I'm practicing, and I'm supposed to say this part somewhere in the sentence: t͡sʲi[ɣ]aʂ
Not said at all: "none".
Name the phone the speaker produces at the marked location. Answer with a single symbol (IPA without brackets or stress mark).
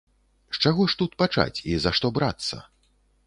z